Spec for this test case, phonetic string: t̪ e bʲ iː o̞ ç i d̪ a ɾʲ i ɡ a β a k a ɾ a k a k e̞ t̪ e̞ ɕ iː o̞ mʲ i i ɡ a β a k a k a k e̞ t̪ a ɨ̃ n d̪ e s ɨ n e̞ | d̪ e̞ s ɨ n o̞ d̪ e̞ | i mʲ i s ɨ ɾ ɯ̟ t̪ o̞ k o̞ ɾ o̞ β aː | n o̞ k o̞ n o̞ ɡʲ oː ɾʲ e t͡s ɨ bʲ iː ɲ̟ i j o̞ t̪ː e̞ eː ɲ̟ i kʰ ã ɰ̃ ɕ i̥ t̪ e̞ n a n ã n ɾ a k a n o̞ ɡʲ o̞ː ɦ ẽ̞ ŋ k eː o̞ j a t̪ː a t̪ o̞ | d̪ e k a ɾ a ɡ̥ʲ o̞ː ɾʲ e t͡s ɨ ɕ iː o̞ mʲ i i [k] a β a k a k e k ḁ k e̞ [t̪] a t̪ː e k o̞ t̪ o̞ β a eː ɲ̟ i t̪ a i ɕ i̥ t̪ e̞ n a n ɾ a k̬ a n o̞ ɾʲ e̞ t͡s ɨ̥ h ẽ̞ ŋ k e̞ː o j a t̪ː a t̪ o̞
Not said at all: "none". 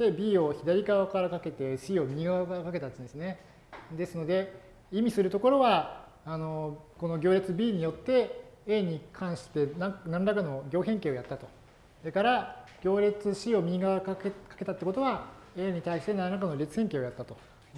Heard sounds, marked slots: ɡ, t̪

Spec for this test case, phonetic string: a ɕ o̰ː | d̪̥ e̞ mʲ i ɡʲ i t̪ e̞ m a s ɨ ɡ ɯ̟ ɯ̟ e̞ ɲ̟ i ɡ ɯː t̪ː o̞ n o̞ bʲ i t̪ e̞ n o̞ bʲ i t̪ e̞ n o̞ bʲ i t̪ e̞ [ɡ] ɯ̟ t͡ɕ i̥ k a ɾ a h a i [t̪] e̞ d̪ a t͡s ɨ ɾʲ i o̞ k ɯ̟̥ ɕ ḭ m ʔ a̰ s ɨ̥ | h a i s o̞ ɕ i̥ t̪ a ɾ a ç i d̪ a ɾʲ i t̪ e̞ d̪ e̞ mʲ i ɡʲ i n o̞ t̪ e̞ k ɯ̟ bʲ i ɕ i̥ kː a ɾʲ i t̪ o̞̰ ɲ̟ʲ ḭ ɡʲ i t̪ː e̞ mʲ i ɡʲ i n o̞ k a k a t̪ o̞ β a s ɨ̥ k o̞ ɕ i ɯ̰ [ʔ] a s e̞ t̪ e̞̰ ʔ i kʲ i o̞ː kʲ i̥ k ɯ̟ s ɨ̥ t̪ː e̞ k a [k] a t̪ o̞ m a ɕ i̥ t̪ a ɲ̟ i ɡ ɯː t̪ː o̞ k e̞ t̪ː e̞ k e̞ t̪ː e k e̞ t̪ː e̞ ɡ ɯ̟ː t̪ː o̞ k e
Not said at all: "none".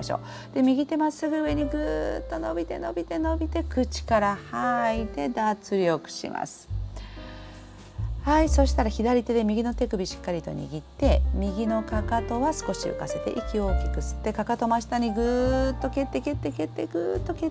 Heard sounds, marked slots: k, t̪, k, k

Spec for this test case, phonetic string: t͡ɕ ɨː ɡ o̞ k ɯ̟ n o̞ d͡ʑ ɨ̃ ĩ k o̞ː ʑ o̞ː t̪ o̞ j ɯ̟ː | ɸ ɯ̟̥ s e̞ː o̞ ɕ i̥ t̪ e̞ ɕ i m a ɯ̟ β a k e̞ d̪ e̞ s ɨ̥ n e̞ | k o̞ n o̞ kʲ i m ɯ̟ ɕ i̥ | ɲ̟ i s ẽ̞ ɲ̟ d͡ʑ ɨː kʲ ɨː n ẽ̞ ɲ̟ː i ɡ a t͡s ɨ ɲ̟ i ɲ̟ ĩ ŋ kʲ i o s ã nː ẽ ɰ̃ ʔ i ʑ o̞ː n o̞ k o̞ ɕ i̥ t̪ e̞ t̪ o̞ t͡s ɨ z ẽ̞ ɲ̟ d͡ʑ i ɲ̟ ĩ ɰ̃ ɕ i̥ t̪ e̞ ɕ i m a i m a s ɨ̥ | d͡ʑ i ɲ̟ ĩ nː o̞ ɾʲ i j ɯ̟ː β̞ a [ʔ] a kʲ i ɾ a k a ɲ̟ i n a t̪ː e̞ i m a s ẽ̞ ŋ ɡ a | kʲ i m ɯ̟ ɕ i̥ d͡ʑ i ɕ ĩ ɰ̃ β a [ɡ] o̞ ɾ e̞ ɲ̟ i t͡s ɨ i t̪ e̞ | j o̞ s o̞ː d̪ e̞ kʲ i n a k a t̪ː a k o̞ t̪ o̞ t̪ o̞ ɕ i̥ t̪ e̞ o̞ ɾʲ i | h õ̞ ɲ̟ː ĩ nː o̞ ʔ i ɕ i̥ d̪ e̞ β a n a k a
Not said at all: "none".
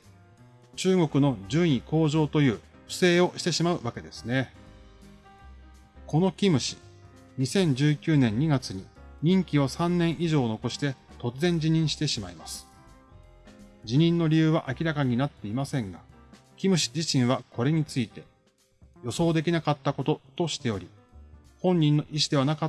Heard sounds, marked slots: ʔ, k

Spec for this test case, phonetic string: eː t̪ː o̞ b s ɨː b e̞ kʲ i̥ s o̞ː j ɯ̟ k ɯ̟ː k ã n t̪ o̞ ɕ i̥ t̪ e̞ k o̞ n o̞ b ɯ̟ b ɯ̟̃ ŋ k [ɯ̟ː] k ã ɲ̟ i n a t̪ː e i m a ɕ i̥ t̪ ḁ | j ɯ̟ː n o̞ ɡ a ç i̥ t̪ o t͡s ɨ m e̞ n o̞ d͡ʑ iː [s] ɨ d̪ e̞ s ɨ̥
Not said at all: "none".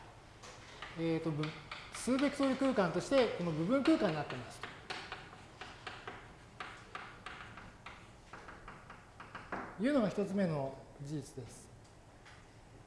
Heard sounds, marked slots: ɯ̟ː, t͡s

